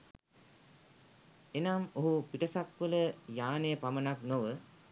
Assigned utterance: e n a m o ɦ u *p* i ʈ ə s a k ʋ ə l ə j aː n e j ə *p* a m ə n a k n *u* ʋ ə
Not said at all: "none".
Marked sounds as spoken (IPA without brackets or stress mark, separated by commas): p, p, o